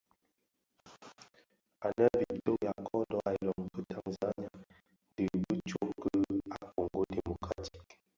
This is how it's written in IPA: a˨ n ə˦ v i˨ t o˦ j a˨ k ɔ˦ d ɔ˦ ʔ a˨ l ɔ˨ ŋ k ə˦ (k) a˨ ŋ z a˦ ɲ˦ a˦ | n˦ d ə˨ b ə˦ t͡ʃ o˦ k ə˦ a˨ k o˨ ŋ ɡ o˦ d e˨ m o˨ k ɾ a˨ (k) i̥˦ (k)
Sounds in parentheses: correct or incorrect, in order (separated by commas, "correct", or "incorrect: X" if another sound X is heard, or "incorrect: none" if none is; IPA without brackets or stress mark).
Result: incorrect: t, incorrect: t, correct